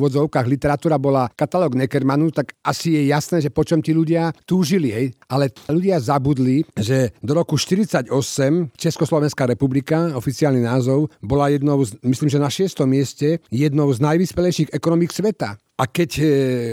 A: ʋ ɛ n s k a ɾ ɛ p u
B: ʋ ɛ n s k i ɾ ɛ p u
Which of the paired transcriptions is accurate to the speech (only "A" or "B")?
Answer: A